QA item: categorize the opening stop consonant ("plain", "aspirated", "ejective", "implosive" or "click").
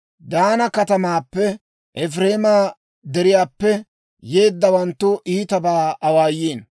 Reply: plain